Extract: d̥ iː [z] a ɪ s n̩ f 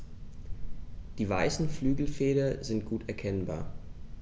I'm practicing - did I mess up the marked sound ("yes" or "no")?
yes